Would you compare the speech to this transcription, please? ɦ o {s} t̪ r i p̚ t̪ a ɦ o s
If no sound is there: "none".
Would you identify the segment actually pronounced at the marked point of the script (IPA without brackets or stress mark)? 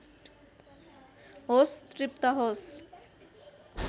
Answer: s